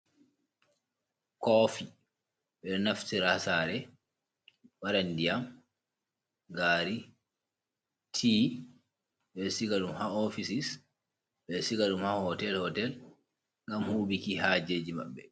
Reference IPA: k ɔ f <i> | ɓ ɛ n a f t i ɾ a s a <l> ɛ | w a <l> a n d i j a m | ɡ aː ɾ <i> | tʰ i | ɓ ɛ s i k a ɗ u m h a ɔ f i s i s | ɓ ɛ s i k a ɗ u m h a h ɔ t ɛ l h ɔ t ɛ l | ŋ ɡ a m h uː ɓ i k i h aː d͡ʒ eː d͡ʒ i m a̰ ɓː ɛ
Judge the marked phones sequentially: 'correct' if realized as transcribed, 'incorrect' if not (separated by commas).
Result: correct, incorrect, incorrect, correct